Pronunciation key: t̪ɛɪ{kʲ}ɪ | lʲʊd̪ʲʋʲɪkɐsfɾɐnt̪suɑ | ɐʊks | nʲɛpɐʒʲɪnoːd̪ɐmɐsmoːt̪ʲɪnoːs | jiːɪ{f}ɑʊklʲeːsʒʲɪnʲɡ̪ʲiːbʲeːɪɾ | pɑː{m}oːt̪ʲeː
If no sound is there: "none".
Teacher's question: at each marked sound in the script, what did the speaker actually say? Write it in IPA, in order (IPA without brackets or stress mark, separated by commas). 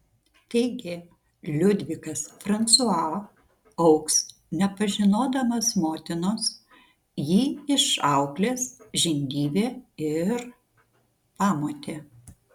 ɡʲ, ʃ, m